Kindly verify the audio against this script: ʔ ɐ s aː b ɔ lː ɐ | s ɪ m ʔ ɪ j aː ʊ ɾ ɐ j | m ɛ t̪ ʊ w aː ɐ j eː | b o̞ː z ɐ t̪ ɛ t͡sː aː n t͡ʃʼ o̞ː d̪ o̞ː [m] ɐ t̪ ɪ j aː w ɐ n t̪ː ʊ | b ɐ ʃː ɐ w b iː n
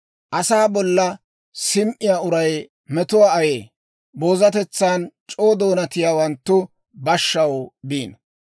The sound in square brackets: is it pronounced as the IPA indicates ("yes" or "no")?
no